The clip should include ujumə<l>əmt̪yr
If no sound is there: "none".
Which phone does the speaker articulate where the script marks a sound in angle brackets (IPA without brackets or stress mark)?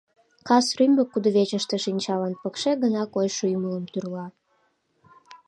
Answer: l